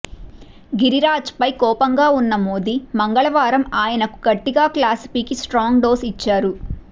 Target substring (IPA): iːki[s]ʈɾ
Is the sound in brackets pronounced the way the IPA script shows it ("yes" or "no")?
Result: yes